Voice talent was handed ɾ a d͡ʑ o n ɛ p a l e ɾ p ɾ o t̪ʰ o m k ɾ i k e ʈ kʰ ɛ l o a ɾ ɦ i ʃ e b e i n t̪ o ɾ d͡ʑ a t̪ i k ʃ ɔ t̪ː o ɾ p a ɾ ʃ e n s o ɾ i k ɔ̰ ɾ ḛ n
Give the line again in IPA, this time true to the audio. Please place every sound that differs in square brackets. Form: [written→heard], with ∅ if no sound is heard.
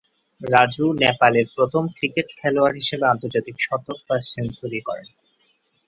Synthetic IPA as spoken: ɾ a d͡ʑ [o→u] n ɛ p a l e ɾ p ɾ o t̪ʰ o m k ɾ i k e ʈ kʰ ɛ l o a ɾ ɦ i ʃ e b e [i→a] n t̪ o ɾ d͡ʑ a t̪ i k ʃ ɔ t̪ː o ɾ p a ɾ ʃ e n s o ɾ i k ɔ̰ ɾ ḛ n